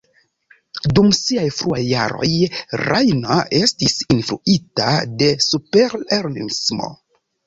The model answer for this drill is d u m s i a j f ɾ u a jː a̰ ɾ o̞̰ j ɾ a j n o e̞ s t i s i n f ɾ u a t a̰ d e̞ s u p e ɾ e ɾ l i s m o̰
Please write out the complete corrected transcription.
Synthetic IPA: d u m s i a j f ɾ u a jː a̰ ɾ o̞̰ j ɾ a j n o e̞ s t i s i n f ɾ u i t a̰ d e̞ s u p e ɾ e ɾ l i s m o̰